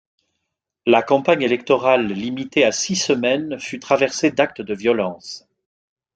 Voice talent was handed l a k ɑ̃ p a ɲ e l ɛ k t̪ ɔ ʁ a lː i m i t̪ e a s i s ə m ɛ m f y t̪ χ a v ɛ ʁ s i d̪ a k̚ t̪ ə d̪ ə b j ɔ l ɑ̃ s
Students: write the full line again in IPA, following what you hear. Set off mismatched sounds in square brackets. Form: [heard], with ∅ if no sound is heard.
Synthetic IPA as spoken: l a k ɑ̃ p a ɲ e l ɛ k t̪ ɔ ʁ a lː i m i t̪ e a s i s ə m ɛ [n] f y t̪ χ a v ɛ ʁ s [e] d̪ a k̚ t̪ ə d̪ ə [v] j ɔ l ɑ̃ s